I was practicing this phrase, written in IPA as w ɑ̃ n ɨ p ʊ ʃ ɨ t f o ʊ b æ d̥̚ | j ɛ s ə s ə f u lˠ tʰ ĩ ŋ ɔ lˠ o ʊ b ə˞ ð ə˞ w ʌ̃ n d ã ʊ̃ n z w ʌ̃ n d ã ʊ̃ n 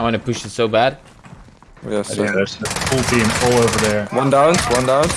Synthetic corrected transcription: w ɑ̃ n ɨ p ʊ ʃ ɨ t s o ʊ b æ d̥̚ | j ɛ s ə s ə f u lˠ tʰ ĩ m ɔ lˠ o ʊ v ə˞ ð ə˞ w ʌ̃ n d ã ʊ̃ n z w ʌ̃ n d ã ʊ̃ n